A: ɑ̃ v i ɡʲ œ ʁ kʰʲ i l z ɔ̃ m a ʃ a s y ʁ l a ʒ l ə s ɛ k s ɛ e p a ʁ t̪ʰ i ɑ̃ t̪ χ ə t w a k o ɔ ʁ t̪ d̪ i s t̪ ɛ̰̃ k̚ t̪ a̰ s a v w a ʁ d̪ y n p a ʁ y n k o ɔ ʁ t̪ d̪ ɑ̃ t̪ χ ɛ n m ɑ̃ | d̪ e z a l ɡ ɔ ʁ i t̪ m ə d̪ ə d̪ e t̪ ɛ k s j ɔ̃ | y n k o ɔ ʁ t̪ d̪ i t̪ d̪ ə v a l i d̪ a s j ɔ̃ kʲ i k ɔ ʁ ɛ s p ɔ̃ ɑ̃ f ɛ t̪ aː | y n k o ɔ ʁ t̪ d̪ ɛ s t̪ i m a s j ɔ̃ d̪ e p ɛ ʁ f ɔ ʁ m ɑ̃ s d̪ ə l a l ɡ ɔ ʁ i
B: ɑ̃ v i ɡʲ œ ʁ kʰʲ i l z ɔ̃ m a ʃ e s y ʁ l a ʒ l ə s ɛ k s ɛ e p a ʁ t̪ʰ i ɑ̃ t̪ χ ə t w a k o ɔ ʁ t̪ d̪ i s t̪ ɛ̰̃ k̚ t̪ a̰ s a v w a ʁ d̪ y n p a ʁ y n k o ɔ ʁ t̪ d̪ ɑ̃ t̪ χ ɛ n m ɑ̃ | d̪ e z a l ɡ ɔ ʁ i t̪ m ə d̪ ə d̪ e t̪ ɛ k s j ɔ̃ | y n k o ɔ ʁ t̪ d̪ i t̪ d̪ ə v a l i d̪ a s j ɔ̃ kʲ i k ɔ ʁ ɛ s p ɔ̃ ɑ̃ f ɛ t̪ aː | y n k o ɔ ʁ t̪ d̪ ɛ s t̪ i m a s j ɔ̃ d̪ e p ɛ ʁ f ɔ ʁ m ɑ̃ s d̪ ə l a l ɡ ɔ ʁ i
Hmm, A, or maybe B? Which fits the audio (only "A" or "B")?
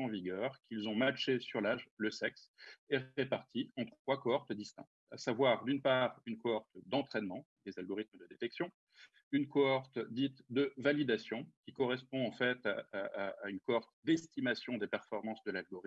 B